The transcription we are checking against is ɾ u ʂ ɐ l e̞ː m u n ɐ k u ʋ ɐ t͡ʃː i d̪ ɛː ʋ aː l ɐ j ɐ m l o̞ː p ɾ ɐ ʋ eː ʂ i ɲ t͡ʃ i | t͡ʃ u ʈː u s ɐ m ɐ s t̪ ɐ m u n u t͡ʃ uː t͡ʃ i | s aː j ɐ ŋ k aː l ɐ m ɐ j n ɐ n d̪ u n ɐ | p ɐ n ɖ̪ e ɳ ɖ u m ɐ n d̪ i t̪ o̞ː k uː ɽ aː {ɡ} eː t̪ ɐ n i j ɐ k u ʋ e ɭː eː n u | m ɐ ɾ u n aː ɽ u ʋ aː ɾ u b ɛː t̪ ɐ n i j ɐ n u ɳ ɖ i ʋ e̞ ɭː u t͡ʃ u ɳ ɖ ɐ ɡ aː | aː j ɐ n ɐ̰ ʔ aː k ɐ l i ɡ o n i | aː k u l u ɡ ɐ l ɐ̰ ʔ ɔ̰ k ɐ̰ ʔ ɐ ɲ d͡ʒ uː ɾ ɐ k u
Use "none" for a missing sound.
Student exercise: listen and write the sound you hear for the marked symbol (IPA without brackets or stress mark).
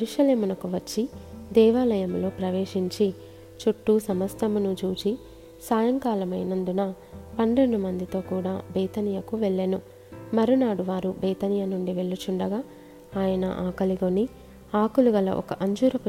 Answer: b